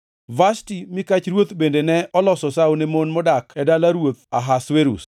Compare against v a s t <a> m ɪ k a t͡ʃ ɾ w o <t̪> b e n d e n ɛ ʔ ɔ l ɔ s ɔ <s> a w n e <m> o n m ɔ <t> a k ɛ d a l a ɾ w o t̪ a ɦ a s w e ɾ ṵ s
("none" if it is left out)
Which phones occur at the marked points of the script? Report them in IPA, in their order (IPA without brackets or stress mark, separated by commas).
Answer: i, t̪, s, m, d